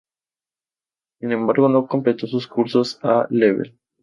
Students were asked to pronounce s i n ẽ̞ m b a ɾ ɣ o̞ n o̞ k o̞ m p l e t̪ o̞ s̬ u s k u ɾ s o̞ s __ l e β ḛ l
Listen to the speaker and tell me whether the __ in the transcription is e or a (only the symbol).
a